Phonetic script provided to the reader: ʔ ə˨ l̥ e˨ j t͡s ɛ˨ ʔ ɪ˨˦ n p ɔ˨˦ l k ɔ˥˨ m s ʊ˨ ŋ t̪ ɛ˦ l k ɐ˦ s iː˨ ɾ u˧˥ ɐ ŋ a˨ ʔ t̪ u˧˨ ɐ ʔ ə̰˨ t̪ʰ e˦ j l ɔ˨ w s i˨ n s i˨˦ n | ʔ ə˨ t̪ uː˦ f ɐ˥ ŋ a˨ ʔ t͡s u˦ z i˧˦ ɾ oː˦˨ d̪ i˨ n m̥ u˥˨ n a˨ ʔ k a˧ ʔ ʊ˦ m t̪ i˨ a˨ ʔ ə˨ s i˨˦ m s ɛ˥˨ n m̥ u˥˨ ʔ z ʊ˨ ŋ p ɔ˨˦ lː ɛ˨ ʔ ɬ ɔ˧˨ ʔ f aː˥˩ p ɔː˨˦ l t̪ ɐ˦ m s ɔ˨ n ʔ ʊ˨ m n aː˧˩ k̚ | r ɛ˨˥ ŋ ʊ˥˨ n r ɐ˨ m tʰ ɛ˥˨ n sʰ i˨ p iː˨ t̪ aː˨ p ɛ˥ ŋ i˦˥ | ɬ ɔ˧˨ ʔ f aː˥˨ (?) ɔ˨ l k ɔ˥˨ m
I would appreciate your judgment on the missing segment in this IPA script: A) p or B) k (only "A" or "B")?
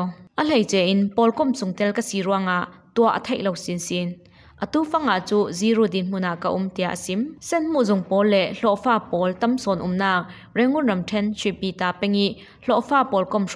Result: A